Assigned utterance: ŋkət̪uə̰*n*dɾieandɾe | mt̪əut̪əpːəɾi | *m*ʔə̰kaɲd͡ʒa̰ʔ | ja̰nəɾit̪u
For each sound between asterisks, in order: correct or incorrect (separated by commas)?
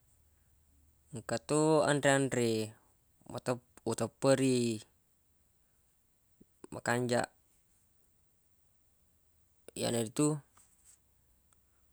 correct, correct